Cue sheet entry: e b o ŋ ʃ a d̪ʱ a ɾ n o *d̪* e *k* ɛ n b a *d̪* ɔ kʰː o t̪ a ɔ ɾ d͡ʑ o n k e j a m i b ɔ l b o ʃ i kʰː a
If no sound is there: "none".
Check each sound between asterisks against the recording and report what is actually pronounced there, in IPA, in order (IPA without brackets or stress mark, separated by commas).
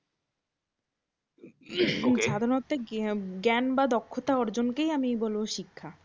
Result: t̪, ɡ, d̪